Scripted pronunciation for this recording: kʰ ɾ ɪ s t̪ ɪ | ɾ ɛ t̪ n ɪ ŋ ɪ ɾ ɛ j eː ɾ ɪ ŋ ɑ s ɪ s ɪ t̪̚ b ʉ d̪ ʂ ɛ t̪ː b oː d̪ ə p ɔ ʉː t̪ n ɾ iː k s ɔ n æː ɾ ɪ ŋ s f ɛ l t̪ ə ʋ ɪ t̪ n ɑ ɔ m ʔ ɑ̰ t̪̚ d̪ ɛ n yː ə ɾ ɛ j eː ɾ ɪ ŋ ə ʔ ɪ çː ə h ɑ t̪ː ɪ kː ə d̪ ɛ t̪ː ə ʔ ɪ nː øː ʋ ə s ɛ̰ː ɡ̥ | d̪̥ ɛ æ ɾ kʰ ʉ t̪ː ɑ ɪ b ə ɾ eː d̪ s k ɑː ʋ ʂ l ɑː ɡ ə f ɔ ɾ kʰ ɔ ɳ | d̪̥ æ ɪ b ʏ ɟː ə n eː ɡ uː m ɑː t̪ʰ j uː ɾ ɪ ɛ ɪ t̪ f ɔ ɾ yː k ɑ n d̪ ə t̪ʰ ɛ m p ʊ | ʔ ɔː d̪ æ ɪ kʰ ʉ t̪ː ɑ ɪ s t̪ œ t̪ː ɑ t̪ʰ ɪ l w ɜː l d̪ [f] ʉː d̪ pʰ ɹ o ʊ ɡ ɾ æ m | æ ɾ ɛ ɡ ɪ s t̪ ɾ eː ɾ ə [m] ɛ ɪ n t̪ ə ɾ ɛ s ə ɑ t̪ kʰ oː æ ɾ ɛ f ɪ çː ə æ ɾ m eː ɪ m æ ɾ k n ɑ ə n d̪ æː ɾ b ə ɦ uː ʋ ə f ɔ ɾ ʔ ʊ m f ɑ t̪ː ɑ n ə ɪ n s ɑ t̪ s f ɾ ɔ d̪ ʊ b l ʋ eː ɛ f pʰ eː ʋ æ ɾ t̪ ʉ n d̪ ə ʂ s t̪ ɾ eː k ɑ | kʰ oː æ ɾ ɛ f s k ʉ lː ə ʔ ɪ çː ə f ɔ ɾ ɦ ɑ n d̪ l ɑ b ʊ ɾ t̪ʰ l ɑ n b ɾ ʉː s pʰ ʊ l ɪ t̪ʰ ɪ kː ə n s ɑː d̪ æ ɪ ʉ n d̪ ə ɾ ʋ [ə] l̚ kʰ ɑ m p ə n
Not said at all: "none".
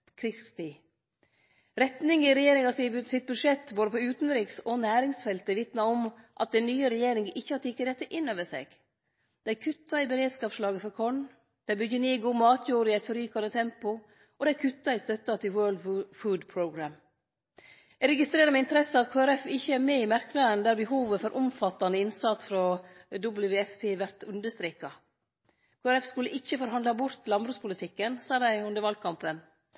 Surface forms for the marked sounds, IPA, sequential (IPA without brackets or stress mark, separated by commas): f, m, ɑ